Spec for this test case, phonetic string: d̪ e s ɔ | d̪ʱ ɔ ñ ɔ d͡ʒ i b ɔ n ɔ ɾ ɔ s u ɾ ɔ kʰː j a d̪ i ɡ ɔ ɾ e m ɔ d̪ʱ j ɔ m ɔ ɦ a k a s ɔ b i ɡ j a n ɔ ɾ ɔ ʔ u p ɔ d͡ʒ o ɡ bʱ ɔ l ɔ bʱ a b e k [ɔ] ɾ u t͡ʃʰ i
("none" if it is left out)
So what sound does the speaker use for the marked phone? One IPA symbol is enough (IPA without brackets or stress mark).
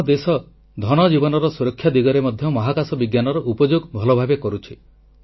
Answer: ɔ